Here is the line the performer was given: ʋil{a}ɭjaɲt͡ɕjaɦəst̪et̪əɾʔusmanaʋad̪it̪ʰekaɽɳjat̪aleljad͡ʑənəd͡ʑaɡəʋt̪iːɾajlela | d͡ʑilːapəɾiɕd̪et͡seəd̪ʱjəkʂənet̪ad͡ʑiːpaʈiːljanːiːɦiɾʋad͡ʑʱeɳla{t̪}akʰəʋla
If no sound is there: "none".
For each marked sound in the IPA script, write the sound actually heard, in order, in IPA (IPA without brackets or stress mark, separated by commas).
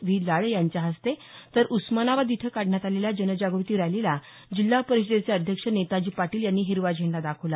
a, d̪